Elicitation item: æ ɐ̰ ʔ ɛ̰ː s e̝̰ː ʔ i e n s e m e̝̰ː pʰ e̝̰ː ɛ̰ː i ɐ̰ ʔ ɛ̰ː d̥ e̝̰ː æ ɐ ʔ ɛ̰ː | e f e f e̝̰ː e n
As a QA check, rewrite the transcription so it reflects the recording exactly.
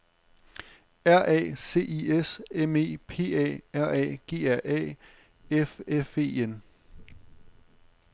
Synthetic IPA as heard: æ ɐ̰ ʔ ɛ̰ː s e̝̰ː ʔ i e s e m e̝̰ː pʰ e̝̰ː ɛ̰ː æ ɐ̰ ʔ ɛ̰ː ɡ̥ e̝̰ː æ ɐ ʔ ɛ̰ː | e f e f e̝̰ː e n

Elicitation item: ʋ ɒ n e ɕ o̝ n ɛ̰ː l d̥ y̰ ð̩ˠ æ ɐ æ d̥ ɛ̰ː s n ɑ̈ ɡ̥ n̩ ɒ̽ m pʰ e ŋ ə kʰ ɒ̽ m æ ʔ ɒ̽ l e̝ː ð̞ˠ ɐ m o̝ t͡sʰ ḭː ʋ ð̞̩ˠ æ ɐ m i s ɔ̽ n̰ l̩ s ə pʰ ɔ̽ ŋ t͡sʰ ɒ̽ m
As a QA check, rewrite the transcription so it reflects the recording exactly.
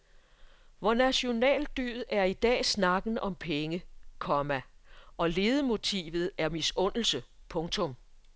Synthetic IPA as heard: ʋ ɒ n æ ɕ o̝ n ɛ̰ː l d̥ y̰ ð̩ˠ æ ɐ i d̥ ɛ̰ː s n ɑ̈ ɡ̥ n̩ ɒ̽ m pʰ e ŋ ə kʰ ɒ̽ m æ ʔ ɒ̽ l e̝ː ð̞ˠ ə m o̝ t͡sʰ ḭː ʋ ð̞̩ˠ æ ɐ m i s ɔ̽ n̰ l̩ s ə pʰ ɔ̽ ŋ t͡sʰ ɔ̽ m

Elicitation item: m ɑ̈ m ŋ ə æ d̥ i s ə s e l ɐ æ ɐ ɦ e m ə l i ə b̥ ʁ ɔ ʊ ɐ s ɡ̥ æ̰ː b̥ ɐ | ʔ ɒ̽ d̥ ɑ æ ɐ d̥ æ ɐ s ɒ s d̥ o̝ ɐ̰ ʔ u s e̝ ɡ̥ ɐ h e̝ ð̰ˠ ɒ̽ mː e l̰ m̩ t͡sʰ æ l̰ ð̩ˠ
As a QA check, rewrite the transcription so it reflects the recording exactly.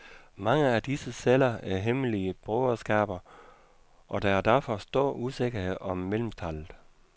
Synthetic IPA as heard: m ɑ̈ ŋ ə æ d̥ i s ə s e l ɐ æ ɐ ɦ e m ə l i ə b̥ ʁ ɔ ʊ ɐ s ɡ̥ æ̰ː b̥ ɐ | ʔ ɒ̽ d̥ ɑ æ ɐ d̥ æ ɐ f ɒ s d̥ o̝ ɐ̰ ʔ u s e̝ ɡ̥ ɐ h e̝ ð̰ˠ ɒ̽ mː e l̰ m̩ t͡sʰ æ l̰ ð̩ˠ

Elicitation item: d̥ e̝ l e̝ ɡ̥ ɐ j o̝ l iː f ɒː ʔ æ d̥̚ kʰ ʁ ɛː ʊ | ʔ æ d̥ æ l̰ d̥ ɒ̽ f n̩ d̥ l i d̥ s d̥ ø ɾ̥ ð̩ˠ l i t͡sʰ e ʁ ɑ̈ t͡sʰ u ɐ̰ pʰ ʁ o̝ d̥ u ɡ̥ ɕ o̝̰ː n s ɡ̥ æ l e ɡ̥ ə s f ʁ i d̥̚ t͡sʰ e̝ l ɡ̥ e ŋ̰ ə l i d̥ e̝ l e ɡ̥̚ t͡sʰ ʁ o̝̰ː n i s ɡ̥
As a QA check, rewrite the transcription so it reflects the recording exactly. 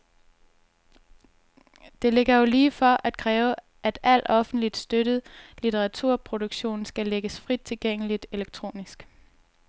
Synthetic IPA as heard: d̥ e̝ l e̝ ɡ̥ ɐ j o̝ l iː f ɒ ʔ æ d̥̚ kʰ ʁ ɛː ʊ | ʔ æ d̥ æ l̰ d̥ ɒ̽ f n̩ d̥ l i d̥ s d̥ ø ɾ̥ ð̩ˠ l i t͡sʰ e ʁ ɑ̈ t͡sʰ u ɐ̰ pʰ ʁ o̝ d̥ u ɡ̥ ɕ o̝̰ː n s ɡ̥ æ l e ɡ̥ ə s f ʁ i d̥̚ t͡sʰ e̝ l ɡ̥ e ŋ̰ ə l i d̥ e̝ l e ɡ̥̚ t͡sʰ ʁ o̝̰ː n i s ɡ̥

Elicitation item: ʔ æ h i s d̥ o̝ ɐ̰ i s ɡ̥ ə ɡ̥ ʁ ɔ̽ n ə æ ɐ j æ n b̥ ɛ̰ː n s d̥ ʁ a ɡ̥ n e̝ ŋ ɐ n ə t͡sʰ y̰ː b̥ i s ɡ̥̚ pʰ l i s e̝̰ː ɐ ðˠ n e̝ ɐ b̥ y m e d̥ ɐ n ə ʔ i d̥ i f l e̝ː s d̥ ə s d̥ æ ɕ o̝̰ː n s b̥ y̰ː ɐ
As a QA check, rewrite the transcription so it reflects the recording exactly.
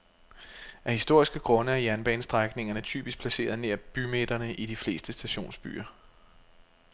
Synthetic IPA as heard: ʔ æ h i s d̥ o̝ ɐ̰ i s ɡ̥ ə ɡ̥ ʁ ɔ̽ n ə æ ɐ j æ n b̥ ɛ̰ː n s d̥ ʁ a ɡ̥ n e̝ ŋ ɐ n ə t͡sʰ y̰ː b̥ i s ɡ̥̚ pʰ l æ s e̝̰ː ɐ ðˠ n e̝ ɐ b̥ y m e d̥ ɐ n ə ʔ i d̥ i f l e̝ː s d̥ ə s d̥ æ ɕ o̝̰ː n s b̥ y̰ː ɐ

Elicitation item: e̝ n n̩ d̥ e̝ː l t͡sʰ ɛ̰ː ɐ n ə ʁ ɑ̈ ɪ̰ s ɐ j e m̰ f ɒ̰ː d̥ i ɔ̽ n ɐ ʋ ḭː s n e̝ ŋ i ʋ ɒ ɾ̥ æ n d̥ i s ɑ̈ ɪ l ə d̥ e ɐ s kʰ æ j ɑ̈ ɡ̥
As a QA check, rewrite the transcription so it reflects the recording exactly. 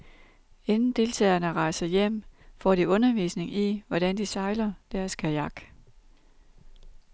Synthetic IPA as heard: e̝ n n̩ d̥ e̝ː l t͡sʰ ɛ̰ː ɐ n ə ʁ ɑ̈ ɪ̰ s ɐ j e m̰ f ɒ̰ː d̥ i ɔ̽ n ɐ ʋ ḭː s n e̝ ŋ i ʋ ɒ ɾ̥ æ n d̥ i s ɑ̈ ɪ l ɐ d̥ æ ɐ s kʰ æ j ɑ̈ ɡ̥

